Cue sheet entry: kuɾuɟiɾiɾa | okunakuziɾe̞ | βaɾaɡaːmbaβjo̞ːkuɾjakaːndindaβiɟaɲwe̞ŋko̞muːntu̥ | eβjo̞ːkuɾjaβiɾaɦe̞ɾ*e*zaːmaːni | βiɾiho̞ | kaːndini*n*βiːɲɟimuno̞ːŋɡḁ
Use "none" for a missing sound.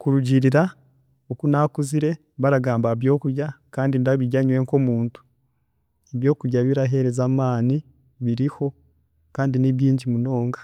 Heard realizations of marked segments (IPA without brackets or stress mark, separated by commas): e, none